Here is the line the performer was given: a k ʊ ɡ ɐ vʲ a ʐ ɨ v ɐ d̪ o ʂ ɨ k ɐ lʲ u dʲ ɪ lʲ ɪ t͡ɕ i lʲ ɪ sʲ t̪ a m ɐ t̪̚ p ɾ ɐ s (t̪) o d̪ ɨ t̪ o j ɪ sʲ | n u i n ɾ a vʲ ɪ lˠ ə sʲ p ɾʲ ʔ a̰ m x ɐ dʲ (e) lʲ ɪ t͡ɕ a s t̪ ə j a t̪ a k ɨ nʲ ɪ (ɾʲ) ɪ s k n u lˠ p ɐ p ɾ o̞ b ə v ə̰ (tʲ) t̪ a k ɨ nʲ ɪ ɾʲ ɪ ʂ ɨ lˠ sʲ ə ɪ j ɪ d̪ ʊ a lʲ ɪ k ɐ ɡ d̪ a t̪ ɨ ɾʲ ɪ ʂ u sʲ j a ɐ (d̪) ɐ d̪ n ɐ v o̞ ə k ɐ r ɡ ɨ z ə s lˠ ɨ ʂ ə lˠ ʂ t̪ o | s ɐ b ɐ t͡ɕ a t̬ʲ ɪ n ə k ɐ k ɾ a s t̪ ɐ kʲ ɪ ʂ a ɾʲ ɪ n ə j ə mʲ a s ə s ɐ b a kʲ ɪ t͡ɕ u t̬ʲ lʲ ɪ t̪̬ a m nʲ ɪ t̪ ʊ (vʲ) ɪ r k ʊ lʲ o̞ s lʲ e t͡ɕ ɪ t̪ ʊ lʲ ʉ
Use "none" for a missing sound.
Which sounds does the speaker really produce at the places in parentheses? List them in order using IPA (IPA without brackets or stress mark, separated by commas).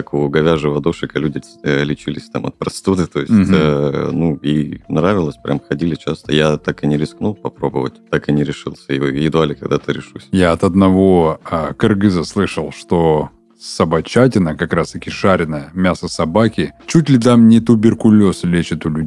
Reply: t̪, i, ɾʲ, tʲ, t̪, bʲ